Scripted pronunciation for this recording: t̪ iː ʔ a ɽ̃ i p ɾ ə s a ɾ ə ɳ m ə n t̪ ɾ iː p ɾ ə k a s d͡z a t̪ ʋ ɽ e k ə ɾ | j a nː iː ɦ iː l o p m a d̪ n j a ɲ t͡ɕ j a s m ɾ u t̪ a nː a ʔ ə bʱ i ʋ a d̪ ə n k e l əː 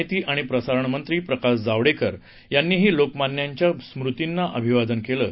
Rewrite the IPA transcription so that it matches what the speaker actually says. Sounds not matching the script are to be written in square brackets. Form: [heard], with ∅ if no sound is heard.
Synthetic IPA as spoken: t̪ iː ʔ a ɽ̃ i p ɾ ə s a ɾ ə ɳ m ə n t̪ ɾ iː p ɾ ə k a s d͡z a [∅] ʋ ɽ e k ə ɾ | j a nː iː ɦ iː l o [k] m a [∅] n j a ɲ t͡ɕ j a s m ɾ u t̪ [i] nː a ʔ ə bʱ i ʋ a d̪ ə n k e l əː